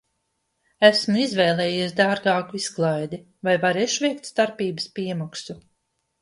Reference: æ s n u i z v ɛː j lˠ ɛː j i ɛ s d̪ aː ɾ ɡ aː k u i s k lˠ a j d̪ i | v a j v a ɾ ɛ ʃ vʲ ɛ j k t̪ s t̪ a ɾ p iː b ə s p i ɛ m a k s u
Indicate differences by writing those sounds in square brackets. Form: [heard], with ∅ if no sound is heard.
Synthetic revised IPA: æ s [m] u i z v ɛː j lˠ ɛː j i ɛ s d̪ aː ɾ ɡ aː k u i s k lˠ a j d̪ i | v a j v a ɾ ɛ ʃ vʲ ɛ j k t̪ s t̪ a ɾ p iː b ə s p i ɛ m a k s u

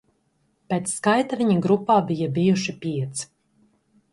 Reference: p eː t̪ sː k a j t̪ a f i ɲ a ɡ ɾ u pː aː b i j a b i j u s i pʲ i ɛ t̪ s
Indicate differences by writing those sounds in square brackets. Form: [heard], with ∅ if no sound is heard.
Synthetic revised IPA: p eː t̪ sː k a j t̪ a [v] i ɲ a ɡ ɾ u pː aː b i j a b i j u [ʃ] i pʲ i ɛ t̪ s

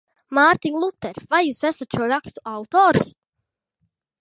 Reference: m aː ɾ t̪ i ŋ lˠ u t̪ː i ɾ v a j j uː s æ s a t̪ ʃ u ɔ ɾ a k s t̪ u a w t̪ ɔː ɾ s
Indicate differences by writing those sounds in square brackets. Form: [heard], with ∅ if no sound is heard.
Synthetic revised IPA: m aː ɾ t̪ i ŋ lˠ u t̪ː [ɛ] ɾ v a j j uː s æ s a t̪ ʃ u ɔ ɾ a k s t̪ u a w t̪ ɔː ɾ s

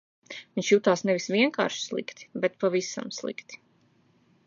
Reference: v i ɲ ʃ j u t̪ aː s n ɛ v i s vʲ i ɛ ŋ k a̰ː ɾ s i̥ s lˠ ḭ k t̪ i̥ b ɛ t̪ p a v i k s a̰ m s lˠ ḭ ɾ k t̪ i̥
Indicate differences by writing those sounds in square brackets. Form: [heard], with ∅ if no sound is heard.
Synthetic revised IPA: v i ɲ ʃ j u t̪ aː s n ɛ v i s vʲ i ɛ ŋ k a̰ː ɾ [ʃ] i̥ s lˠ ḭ k t̪ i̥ b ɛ t̪ p a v i [∅] s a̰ m s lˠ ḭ [∅] k t̪ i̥

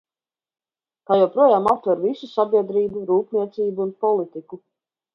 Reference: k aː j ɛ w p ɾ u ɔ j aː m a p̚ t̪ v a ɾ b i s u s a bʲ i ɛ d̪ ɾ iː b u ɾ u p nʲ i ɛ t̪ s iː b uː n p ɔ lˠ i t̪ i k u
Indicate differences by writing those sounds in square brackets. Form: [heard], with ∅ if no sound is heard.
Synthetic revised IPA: k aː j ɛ w p ɾ u ɔ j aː m a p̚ t̪ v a ɾ [v] i s u s a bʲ i ɛ d̪ ɾ iː b u ɾ [uː] p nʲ i ɛ t̪ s iː b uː n p ɔ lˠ i t̪ i k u

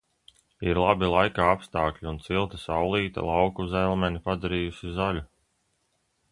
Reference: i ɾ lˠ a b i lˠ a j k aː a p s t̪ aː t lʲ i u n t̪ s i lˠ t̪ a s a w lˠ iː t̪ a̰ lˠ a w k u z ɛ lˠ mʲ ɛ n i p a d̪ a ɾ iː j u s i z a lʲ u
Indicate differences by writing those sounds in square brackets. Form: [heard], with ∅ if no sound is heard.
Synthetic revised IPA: i ɾ lˠ a b i lˠ a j k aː a p s t̪ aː [k] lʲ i u n t̪ s i lˠ t̪ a s a w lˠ iː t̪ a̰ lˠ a w k u z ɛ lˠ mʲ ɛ n i p a d̪ a ɾ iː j u s i z a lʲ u

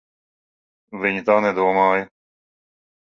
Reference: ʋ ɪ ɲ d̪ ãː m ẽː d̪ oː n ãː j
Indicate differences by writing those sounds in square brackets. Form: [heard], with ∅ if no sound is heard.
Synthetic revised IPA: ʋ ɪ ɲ [t̪] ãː [n] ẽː d̪ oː [m] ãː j

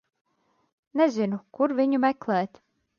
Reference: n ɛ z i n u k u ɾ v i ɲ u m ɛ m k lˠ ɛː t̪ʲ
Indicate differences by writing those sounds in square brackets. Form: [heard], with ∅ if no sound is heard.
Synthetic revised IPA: n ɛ z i n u k u ɾ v i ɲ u m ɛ [∅] k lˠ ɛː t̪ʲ

